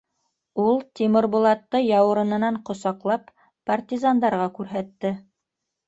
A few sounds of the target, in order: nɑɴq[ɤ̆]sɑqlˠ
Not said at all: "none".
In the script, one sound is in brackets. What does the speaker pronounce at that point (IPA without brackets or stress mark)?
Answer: ŏ